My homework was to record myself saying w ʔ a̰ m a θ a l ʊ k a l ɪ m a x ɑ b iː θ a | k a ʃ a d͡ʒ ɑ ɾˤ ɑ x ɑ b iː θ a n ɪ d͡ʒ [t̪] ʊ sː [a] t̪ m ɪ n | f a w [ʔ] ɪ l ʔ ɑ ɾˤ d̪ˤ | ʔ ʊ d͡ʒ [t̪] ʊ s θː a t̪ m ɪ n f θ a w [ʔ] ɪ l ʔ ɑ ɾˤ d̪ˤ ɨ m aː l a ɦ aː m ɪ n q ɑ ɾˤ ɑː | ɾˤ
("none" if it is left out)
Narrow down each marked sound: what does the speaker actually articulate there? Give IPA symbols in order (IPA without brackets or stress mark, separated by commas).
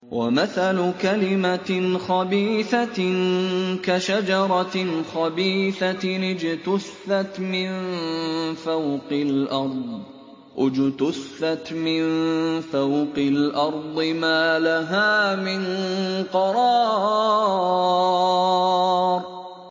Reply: t̪, a, q, t̪, q